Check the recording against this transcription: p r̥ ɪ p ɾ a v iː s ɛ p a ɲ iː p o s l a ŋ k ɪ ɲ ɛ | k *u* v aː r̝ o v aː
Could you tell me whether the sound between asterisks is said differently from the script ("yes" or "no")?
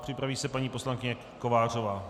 yes